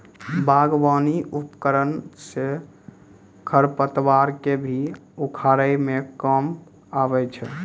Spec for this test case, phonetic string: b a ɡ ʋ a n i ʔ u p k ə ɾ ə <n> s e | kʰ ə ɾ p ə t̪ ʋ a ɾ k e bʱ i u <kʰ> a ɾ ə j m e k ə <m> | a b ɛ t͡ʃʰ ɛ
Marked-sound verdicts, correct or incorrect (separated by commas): correct, correct, correct